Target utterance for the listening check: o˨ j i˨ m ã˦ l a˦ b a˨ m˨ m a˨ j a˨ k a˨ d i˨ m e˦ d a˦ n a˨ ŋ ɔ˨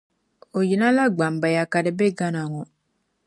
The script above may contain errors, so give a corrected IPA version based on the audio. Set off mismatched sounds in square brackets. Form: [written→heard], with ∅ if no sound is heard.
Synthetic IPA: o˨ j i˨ [m→n] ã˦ l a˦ [b→ɡ͡b] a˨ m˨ [m→b] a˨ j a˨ k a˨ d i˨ [m→b] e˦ [d→ɡ] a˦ n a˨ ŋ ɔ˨